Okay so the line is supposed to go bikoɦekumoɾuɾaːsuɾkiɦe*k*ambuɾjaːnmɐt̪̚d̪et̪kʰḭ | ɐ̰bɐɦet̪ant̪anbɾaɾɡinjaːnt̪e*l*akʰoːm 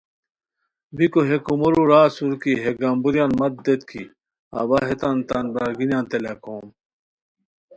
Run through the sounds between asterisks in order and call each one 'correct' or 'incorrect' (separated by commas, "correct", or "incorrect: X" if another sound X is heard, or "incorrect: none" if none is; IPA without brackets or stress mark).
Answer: incorrect: ɡ, correct